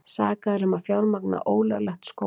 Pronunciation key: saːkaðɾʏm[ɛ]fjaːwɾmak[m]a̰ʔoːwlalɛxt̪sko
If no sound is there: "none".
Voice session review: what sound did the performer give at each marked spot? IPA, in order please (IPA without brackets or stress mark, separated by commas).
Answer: a, n